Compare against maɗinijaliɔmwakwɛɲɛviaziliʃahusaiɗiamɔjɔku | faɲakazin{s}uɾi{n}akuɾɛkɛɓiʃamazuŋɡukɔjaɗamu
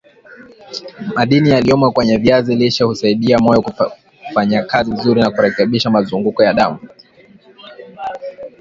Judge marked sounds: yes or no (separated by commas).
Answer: no, yes